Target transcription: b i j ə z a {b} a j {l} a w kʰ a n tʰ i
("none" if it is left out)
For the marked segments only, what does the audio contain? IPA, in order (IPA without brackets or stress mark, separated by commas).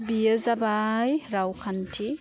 b, ɾ